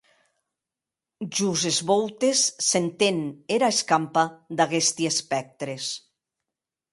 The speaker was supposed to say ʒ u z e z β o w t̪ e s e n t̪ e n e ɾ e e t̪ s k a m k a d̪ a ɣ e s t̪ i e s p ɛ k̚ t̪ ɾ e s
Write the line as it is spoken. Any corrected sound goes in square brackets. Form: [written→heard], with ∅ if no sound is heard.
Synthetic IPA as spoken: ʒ u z e z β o w t̪ e [s→sː] e n t̪ e n e ɾ [e→a] e [t̪→∅] s k a m [k→p] a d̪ a ɣ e s t̪ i e s p ɛ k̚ t̪ ɾ e s